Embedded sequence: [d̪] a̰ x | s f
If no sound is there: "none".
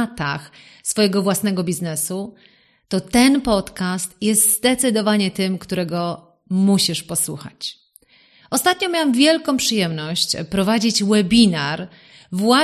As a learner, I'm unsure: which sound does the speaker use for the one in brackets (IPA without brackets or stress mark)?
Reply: t̪